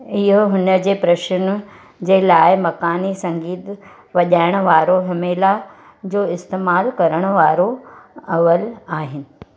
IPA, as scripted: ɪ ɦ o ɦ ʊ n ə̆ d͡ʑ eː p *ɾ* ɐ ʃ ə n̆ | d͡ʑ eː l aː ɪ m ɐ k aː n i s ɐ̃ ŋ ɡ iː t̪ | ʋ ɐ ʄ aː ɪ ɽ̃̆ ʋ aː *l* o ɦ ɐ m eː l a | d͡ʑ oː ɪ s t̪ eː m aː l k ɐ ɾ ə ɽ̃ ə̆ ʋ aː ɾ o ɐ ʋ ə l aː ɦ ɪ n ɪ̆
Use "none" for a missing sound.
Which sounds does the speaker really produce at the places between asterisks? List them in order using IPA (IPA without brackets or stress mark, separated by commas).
ɾ, ɾ